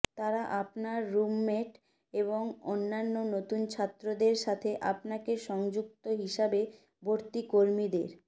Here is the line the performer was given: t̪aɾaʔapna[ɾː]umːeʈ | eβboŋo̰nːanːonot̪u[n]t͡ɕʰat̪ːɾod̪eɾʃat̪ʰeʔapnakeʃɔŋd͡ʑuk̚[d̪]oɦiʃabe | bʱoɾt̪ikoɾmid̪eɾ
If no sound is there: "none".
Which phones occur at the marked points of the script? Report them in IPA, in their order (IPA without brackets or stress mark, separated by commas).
ɾː, n, t̪